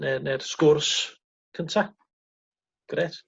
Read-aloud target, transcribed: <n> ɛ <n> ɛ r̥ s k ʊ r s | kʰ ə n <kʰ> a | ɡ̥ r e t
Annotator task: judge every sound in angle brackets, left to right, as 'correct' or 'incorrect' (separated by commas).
correct, correct, incorrect